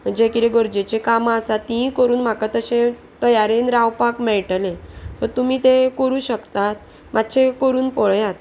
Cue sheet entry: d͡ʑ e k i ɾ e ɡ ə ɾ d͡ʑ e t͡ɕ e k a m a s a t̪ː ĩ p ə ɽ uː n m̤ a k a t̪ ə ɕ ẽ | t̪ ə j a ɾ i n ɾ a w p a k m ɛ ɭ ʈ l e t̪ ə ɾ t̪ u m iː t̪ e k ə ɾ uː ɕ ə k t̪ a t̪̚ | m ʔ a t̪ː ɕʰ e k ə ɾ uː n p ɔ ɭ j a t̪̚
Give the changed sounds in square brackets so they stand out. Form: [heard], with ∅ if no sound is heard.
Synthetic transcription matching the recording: d͡ʑ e k i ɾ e ɡ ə ɾ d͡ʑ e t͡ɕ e k a m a s a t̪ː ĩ [k] ə [ɾ] uː n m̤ a k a t̪ ə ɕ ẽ | t̪ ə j a ɾ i n ɾ a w p a k m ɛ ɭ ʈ l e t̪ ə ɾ t̪ u m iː t̪ e k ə ɾ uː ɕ ə k t̪ a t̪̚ | m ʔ a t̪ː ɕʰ e k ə ɾ uː n p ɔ ɭ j a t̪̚